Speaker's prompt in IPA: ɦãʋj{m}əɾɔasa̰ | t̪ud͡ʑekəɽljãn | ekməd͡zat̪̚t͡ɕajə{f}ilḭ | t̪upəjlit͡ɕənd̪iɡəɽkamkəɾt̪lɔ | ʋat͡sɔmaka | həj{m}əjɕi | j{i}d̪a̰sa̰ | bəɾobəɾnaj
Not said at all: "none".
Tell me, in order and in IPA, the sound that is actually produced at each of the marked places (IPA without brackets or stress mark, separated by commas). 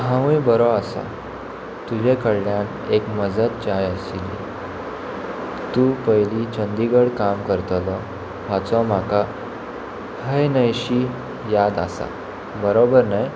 b, s, n, a